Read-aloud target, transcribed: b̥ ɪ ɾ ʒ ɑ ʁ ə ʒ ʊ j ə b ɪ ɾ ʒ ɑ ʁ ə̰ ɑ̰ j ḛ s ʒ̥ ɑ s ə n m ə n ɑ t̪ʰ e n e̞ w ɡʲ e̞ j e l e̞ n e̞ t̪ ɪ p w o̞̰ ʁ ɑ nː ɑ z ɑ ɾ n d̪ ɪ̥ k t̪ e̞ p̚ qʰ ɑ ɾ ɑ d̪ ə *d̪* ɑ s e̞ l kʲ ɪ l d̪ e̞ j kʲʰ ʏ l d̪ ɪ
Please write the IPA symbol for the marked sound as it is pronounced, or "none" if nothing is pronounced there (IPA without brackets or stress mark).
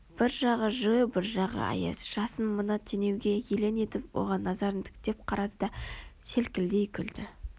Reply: d̪